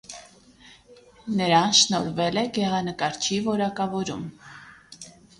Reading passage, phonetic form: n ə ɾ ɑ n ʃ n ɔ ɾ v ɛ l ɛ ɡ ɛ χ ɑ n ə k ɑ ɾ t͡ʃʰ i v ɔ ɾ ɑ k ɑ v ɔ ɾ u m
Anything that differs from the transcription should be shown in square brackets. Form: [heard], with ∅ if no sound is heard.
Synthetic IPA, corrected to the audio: n ə ɾ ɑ n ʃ n ɔ ɾ v ɛ l ɛ ɡ ɛ [ʁ] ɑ n ə k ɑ ɾ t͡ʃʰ i v ɔ ɾ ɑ k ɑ v ɔ ɾ u m